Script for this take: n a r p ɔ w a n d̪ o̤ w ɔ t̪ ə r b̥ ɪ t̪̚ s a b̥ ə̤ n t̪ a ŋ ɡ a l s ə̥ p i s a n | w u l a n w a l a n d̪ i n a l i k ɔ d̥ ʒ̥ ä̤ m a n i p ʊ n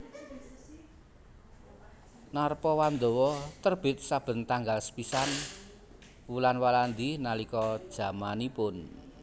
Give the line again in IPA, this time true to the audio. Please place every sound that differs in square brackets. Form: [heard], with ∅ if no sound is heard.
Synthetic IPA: n a r p ɔ w a n d̪ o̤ w ɔ t̪ ə r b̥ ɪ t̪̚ s a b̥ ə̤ n t̪ a ŋ ɡ a l s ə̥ p i s a n | w u l a n w a l a n d̪ i n a l i k ɔ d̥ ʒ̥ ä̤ m a n i p ʊ n